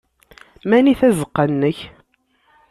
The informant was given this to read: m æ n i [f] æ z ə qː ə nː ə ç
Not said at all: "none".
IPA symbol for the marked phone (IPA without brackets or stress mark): θ